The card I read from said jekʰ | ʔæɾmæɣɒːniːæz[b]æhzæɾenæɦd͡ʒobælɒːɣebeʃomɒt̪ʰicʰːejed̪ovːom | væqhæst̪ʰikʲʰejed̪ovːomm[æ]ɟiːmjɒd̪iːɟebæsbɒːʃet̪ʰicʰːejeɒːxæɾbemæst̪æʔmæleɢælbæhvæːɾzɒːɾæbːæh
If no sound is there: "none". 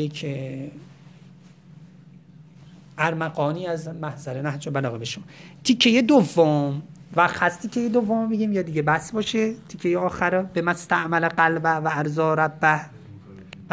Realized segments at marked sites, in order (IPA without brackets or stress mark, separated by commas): m, i